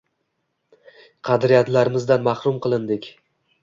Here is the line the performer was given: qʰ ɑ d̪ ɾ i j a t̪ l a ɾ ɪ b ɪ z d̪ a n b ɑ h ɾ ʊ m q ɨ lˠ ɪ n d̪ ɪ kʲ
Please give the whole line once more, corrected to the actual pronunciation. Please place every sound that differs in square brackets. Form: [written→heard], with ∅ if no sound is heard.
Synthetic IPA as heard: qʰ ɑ d̪ ɾ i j a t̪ l a ɾ ɪ [b→m] ɪ z d̪ a n [b→m] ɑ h ɾ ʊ m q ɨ lˠ ɪ n d̪ ɪ kʲ